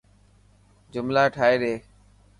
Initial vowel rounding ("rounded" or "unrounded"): rounded